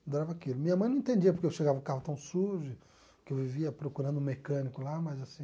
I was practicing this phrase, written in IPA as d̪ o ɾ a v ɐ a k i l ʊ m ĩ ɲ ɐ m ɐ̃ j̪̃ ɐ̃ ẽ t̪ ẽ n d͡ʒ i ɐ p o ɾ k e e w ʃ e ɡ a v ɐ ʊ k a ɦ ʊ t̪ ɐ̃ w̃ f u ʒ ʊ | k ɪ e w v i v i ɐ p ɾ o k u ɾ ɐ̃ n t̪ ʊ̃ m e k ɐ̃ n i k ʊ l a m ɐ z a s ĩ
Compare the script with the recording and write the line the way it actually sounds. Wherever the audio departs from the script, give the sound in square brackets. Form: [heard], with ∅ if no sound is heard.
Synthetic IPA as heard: d̪ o ɾ a v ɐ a k i l ʊ m ĩ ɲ ɐ m ɐ̃ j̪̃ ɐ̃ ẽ t̪ ẽ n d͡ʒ i ɐ p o ɾ k e e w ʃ e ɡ a v ɐ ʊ k a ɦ ʊ t̪ ɐ̃ w̃ [s] u ʒ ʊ | k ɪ e w v i v i ɐ p ɾ o k u ɾ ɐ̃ n [d̪] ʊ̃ m e k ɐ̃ n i k ʊ l a m ɐ z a s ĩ